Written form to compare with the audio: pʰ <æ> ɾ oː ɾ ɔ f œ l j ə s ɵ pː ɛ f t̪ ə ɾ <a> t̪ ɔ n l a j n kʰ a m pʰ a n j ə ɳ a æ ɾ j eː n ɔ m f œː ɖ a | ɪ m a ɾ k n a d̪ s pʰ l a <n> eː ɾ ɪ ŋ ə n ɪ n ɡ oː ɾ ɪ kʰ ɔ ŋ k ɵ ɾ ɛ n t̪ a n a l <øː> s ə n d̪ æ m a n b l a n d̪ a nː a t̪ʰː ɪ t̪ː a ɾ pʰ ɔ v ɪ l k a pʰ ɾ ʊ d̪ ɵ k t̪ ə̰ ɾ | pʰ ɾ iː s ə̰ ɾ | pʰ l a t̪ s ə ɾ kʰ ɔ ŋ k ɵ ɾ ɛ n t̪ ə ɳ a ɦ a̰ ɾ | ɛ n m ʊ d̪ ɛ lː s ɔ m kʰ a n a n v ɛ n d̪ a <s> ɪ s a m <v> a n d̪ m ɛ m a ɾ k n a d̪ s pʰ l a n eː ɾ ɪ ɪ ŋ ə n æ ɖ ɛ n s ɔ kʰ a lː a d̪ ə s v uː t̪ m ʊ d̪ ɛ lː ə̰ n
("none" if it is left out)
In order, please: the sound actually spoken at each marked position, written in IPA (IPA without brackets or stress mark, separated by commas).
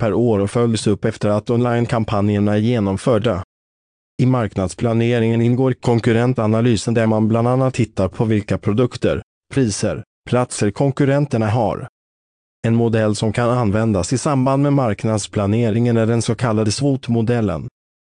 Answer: æ, a, n, yː, s, b